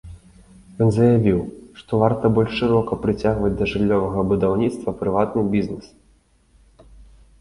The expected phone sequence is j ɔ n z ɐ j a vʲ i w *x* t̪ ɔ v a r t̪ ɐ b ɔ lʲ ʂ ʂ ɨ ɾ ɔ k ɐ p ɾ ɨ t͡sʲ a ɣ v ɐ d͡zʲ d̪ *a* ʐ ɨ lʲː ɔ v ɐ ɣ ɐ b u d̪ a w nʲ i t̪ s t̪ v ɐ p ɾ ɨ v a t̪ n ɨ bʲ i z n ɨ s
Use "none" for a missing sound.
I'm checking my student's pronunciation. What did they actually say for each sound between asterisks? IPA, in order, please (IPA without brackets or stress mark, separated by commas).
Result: ʂ, ɐ